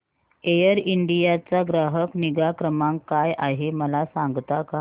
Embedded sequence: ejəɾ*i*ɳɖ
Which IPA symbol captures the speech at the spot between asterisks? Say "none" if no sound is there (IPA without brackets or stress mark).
i